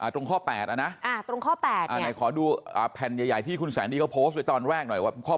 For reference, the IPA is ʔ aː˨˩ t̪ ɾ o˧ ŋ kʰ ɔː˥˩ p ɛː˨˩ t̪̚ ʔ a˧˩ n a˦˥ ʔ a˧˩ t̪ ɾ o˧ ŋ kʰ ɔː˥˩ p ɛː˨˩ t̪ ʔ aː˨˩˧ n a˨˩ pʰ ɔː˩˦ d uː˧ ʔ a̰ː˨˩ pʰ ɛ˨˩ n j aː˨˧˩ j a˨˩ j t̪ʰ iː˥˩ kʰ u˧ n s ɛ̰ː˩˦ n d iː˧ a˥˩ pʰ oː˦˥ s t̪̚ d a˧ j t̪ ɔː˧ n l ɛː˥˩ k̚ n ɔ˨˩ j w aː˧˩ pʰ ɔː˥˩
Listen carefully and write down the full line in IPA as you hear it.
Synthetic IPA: ʔ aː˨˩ t̪ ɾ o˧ ŋ kʰ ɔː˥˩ p ɛː˨˩ t̪̚ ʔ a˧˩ n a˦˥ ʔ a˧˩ t̪ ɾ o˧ ŋ kʰ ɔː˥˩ p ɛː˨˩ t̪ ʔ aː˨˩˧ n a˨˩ kʰ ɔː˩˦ d uː˧ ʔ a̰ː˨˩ pʰ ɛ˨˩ n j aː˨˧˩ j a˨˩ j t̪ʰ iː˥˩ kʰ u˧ n s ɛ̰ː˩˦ n d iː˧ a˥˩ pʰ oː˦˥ s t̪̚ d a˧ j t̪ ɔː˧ n ɾ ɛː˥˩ k̚ n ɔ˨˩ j w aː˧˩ kʰ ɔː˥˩